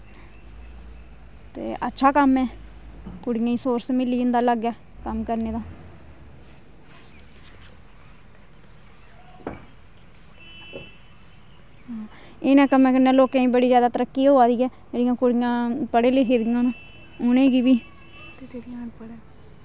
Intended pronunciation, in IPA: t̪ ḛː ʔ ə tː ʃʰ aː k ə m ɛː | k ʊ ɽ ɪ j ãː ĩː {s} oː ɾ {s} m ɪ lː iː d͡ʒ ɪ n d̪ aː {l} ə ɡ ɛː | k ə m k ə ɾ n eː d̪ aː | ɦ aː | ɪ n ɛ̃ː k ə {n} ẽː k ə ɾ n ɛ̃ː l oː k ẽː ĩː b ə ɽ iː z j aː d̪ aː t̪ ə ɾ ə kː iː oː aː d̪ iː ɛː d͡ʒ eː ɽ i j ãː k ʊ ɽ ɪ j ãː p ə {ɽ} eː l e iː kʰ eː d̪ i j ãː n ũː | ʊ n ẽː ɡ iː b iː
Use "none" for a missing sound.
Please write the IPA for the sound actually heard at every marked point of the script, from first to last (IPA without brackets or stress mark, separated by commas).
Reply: s, s, l, m, ɽ